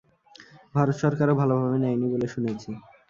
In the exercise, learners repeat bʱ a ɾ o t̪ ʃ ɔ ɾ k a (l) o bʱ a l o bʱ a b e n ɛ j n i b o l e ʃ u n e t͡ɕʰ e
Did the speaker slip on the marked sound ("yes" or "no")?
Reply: yes